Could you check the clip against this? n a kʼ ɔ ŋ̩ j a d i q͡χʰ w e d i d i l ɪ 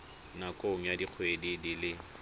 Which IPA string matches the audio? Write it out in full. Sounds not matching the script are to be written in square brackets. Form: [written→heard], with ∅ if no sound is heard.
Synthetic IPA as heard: n a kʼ [ɔ→o] ŋ̩ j a d i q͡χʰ w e d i d i l ɪ